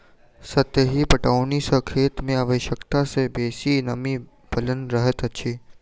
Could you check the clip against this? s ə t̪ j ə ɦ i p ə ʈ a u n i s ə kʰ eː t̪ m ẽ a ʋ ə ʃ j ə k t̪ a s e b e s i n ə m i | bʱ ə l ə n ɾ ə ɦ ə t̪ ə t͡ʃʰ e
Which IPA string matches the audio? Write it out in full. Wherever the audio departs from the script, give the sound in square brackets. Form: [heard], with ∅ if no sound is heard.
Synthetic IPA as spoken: s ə t̪ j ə ɦ i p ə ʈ a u n i s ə kʰ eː t̪ m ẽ a ʋ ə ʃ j ə k t̪ a s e b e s i n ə m i | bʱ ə l ə n ɾ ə ɦ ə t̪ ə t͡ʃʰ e